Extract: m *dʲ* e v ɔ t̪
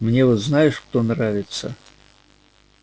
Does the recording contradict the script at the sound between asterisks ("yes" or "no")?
yes